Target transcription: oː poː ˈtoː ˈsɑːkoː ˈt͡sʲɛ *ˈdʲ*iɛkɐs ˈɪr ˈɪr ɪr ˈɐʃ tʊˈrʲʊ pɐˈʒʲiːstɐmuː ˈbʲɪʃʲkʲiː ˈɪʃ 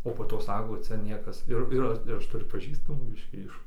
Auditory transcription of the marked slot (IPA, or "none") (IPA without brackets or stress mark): nʲ